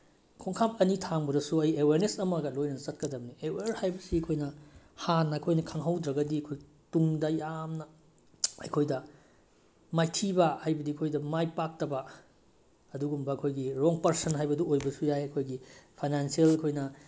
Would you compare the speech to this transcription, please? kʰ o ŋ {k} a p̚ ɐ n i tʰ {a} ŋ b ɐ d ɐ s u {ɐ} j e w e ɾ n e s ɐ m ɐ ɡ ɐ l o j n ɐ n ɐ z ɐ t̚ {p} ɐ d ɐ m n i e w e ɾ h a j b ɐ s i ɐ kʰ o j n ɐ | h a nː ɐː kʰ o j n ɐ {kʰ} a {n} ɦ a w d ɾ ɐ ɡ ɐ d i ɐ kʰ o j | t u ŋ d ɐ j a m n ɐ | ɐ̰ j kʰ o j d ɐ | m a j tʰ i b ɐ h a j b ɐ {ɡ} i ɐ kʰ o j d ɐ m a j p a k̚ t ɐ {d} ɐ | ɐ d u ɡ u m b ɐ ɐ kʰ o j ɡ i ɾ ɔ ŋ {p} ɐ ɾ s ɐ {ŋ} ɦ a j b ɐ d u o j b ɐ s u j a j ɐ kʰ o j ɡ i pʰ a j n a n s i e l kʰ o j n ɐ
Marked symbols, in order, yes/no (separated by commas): no, yes, yes, no, yes, no, no, no, yes, no